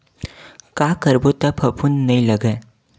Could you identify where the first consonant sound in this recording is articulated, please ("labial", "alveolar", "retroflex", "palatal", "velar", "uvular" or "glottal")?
velar